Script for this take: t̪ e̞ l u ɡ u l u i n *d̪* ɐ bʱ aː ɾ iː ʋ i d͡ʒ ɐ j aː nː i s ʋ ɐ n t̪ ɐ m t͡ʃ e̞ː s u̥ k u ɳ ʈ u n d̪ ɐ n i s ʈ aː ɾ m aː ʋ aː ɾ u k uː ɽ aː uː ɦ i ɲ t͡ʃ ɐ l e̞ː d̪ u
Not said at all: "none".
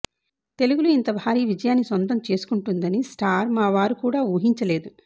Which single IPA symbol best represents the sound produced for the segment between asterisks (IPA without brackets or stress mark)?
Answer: t̪